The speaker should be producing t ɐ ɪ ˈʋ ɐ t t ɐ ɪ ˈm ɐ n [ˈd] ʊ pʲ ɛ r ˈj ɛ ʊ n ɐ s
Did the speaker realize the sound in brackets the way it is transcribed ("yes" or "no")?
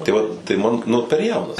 no